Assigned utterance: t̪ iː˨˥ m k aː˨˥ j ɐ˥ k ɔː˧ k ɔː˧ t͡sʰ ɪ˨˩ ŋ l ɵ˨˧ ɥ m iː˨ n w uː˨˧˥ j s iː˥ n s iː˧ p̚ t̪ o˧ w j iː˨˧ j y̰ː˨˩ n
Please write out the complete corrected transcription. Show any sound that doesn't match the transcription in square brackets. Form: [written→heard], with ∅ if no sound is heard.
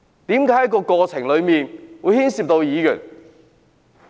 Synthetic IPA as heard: t̪ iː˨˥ m k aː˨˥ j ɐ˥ k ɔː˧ k ɔː˧ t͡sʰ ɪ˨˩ ŋ l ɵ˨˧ ɥ m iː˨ n w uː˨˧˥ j [s→h] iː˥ n s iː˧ p̚ t̪ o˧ w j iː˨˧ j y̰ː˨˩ n